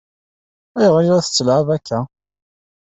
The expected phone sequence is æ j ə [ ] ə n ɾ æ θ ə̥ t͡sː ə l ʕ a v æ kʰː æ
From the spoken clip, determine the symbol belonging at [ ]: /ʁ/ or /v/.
ʁ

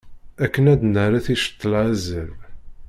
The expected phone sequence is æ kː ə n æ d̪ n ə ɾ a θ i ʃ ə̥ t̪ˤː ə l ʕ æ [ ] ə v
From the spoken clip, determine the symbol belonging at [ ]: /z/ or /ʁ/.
z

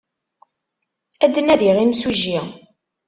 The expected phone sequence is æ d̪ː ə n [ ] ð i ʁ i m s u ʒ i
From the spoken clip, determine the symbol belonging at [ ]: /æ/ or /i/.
æ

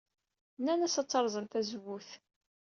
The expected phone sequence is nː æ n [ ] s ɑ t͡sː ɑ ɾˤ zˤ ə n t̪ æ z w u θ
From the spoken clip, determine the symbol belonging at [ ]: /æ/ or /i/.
æ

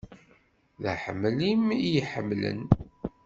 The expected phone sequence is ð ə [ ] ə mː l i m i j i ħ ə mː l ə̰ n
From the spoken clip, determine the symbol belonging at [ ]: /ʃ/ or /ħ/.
ħ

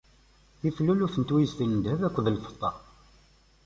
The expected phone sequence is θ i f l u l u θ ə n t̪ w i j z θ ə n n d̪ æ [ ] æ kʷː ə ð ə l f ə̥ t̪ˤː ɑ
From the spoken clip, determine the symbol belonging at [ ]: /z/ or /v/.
v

